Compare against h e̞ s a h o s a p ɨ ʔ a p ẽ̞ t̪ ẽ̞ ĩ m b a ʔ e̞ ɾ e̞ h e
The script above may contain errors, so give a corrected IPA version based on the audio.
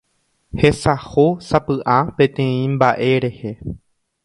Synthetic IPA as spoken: h e̞ s a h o s a p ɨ ʔ a p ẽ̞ t̪ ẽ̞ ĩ m b a ʔ e̞ ɾ e̞ h e